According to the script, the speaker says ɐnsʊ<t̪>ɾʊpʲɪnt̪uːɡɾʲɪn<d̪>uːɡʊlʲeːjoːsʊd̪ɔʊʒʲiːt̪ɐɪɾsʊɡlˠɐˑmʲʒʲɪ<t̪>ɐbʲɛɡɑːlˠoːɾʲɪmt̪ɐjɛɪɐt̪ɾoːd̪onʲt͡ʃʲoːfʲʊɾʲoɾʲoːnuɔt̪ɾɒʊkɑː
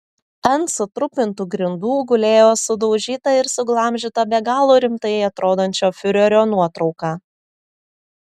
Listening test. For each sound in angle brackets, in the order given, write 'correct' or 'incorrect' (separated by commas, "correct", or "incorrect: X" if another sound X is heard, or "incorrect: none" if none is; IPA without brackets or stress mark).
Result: correct, correct, correct